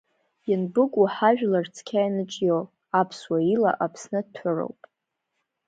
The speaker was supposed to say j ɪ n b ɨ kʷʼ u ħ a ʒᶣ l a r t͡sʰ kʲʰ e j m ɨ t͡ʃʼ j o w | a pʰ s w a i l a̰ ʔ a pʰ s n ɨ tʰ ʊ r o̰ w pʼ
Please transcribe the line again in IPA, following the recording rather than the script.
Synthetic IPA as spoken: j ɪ n b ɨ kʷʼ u ħ a ʒᶣ l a r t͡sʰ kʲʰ a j n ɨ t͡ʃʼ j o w | a pʰ s w a i l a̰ ʔ a pʰ s n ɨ tʰ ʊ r o̰ w pʼ